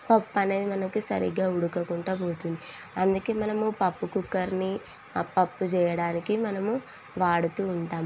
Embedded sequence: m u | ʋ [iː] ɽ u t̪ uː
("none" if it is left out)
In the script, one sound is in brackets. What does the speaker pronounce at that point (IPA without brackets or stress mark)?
aː